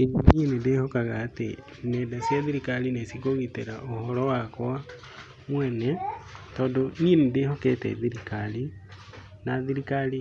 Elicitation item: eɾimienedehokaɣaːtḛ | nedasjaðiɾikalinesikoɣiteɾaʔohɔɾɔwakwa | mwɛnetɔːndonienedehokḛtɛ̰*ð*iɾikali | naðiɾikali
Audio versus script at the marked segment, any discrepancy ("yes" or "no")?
no